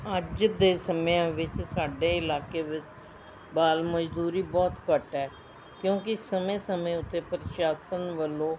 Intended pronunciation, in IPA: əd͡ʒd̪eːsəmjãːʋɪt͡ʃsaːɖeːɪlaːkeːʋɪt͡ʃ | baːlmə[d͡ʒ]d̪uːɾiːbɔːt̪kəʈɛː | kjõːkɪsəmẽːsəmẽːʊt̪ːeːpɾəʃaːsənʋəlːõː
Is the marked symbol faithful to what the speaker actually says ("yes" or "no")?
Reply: yes